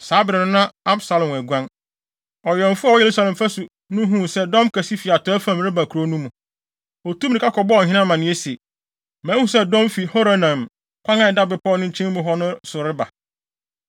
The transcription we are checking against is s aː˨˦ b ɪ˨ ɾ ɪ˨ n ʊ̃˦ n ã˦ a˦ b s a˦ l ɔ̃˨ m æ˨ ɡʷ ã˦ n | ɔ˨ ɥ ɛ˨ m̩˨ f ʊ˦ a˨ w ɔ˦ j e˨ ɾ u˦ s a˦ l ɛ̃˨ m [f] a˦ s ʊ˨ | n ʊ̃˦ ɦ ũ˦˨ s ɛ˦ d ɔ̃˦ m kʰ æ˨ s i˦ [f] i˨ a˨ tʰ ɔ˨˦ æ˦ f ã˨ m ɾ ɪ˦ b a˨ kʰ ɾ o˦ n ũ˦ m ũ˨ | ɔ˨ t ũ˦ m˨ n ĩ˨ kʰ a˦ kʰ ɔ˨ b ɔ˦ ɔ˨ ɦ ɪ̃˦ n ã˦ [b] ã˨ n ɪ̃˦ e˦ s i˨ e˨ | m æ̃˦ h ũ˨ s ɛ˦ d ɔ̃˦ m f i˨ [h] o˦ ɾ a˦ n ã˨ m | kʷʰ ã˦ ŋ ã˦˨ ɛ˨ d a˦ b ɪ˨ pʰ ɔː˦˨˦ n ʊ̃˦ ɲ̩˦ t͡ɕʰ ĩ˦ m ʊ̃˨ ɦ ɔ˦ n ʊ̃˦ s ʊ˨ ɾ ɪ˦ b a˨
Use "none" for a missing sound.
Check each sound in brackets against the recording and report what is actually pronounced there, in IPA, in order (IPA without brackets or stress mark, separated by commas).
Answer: f, f, m, h